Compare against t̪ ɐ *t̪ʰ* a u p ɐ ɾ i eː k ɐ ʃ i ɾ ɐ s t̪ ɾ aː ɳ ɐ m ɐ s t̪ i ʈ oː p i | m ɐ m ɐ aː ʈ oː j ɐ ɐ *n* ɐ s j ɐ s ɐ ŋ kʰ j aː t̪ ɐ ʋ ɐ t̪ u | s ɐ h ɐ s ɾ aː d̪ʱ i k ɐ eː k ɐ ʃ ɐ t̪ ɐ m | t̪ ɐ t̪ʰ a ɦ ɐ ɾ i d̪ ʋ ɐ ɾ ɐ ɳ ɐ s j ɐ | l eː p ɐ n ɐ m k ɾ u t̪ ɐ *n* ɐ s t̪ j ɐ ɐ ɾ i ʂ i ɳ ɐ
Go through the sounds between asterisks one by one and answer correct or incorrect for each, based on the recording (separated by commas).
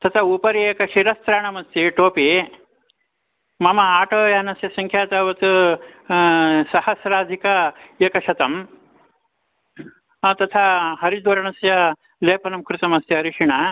correct, correct, incorrect